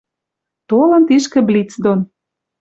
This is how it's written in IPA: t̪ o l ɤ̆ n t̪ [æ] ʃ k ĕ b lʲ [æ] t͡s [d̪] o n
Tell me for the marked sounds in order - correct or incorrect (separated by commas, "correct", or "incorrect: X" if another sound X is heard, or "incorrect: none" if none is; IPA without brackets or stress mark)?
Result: incorrect: i, incorrect: i, correct